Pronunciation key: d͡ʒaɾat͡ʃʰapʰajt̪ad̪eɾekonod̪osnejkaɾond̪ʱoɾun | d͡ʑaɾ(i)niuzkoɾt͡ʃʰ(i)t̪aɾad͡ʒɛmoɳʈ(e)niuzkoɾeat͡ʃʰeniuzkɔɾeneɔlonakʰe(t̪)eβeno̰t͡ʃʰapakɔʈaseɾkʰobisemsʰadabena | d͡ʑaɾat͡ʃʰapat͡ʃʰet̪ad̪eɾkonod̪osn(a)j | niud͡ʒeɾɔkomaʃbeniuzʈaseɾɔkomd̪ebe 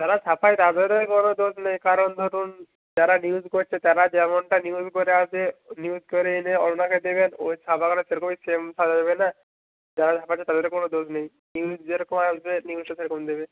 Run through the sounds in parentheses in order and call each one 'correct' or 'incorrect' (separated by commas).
incorrect, incorrect, incorrect, incorrect, incorrect